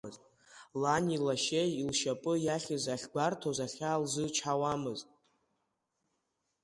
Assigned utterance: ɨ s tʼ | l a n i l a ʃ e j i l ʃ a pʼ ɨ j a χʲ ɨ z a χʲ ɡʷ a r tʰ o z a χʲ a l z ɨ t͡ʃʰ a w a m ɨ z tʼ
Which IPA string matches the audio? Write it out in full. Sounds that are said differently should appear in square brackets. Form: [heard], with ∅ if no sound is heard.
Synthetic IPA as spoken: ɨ [z] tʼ | l a n i l a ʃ e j i l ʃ a pʼ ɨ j a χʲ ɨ z a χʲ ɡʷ a r tʰ o z a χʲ a l z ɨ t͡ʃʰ a w a m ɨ z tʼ